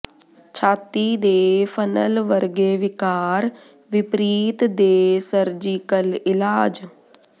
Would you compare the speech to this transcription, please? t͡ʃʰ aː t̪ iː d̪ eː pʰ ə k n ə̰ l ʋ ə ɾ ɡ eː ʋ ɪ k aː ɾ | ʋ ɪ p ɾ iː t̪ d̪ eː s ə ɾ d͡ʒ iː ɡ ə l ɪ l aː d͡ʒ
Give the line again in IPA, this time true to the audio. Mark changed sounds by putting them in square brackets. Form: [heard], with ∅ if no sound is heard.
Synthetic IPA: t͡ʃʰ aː t̪ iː d̪ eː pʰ ə [∅] n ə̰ l ʋ ə ɾ ɡ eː ʋ ɪ k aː ɾ | ʋ ɪ p ɾ iː t̪ d̪ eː s ə ɾ d͡ʒ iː [k] ə l ɪ l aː d͡ʒ